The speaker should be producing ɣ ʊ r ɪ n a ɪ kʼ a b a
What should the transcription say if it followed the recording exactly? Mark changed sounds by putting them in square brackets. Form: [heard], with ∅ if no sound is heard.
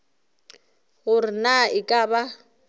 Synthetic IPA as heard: ɣ ʊ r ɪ n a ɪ kʼ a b a